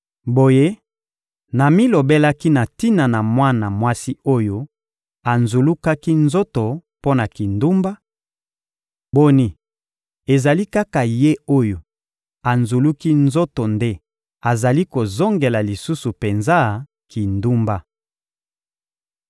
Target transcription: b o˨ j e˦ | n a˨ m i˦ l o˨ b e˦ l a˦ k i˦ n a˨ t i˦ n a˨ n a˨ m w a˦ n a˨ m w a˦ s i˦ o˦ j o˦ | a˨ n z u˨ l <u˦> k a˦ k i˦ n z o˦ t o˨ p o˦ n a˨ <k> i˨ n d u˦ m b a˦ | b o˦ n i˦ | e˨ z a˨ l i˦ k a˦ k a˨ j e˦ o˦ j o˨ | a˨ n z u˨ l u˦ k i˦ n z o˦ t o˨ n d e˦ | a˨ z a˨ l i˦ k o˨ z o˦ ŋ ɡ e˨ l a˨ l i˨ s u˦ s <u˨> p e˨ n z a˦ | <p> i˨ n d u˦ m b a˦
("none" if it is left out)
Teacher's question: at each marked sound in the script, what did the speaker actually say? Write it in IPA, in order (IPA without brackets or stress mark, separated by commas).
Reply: u˦, k, u˨, k